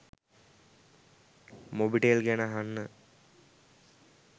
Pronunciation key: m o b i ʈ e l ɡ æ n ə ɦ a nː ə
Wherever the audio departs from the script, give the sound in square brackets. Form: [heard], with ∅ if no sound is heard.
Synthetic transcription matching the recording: m o b i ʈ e l ɡ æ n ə ɦ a nː ə